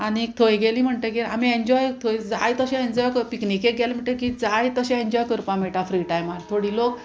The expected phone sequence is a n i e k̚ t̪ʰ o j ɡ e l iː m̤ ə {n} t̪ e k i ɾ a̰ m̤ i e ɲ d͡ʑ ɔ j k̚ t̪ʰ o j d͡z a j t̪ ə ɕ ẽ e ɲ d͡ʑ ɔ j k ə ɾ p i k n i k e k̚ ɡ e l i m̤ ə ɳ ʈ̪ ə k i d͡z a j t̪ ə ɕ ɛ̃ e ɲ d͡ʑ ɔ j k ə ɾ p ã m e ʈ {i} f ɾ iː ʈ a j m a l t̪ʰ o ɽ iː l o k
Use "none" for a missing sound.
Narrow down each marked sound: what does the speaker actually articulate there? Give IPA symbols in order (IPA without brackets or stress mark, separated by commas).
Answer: ɳ, a